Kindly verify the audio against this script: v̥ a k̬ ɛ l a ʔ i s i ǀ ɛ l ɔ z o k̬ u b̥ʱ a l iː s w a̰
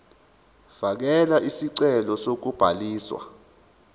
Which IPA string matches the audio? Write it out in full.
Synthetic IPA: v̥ a k̬ ɛ l a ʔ i s i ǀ ɛ l ɔ s o k̬ u b̥ʱ a l iː s w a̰

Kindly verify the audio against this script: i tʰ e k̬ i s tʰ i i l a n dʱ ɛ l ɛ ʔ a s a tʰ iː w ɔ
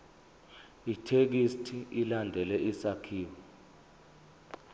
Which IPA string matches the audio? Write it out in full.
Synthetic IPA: i tʰ e k̬ i s tʰ i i l a n dʱ ɛ l ɛ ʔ i s a kʰ iː w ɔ

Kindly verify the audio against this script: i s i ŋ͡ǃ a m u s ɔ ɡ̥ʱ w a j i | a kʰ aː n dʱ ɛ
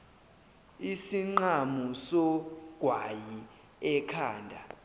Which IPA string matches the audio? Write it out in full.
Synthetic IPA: i s i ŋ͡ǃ a m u s ɔ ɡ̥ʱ w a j i | ɛ kʰ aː n dʱ a

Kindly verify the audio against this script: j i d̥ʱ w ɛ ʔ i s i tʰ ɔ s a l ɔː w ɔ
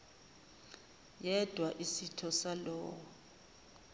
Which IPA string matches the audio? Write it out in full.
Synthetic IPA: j ɛ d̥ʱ w a ʔ i s i tʰ ɔ s a l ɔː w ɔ

